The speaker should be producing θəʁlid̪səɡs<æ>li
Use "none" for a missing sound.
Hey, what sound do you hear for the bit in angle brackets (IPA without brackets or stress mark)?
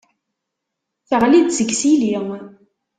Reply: i